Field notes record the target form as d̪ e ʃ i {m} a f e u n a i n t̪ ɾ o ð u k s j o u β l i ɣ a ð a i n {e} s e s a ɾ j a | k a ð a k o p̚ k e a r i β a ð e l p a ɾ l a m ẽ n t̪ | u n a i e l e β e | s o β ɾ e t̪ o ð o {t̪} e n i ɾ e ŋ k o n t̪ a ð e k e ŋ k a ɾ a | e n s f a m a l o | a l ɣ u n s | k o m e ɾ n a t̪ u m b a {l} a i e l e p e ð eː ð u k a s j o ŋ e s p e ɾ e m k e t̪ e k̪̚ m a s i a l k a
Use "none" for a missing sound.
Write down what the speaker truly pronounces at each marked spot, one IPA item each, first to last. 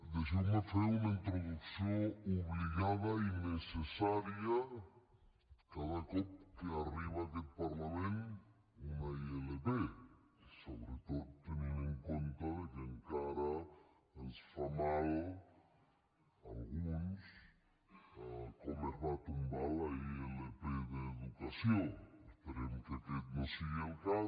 m, e, t̪, l

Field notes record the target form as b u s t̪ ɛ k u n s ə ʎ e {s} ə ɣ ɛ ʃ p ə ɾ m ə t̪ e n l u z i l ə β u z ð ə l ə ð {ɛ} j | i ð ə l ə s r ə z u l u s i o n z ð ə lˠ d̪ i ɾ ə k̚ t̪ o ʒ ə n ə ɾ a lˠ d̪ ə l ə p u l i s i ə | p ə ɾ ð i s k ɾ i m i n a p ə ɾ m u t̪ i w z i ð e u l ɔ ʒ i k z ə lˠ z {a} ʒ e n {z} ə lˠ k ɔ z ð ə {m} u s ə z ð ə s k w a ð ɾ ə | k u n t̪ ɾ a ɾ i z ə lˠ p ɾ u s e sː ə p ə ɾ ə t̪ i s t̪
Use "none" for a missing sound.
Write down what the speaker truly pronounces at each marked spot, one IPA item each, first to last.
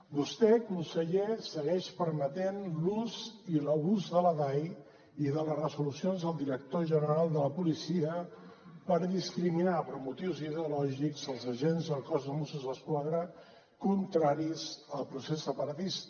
s, a, ə, z, m

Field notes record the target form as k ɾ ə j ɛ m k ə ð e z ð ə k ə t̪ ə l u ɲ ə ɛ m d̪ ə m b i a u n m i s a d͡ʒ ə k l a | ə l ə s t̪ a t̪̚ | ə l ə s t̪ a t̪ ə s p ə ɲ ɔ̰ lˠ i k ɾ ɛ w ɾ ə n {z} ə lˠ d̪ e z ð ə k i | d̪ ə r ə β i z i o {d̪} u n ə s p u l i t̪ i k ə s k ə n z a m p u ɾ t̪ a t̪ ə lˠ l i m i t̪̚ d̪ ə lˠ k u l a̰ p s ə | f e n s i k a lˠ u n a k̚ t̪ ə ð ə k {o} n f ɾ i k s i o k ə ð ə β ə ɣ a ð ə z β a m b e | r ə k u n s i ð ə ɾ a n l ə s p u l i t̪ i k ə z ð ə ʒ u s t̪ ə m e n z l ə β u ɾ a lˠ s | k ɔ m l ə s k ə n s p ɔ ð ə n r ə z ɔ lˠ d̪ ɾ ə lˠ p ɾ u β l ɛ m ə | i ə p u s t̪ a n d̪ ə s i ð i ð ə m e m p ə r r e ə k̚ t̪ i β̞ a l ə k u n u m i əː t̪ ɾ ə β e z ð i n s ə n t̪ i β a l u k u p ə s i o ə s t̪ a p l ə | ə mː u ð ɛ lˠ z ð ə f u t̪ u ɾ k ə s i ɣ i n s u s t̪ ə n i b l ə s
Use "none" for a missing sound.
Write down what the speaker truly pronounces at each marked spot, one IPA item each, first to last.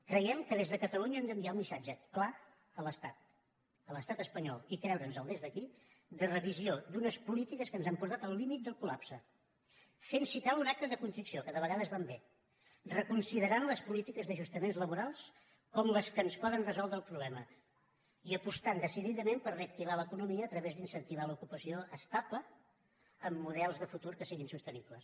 z, d̪, u

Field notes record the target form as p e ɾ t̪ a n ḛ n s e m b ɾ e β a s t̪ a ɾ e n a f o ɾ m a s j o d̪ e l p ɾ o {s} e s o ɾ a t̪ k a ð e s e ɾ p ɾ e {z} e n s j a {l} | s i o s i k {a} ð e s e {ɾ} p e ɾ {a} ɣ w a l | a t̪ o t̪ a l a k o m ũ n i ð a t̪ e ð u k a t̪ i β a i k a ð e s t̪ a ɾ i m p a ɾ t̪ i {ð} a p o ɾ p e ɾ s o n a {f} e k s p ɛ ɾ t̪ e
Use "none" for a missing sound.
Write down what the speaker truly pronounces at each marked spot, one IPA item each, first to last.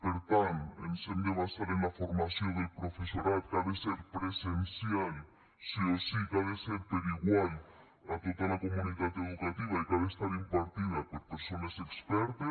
f, s, l, a, ɾ, i, ð, s

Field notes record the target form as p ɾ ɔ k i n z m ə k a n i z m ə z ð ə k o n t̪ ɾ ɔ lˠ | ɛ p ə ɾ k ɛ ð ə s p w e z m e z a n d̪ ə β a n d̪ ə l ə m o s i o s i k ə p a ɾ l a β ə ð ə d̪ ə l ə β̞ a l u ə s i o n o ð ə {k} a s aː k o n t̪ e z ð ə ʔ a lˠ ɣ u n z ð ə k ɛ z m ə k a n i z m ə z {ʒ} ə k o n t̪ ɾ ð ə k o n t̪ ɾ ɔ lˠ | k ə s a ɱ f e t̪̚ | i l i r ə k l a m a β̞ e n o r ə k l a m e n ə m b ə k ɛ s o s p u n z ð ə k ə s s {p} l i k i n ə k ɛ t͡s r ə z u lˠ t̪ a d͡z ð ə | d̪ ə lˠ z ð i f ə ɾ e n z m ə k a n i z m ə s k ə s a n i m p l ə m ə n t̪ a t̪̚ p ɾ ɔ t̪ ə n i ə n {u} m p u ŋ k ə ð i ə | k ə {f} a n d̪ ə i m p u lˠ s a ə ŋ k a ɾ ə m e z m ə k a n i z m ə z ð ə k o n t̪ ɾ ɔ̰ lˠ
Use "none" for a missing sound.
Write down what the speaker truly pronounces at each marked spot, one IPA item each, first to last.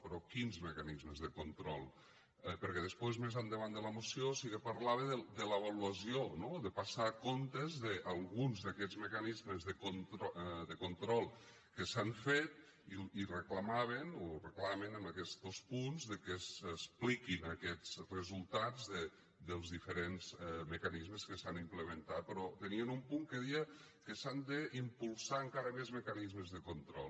p, ð, p, u, s

